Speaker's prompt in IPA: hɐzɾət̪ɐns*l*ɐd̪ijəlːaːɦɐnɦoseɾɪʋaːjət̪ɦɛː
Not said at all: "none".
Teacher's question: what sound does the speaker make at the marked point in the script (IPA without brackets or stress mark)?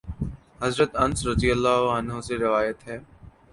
ɾ